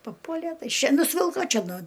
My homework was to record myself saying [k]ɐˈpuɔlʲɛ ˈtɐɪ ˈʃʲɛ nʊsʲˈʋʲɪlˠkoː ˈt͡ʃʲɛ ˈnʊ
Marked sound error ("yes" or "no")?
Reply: yes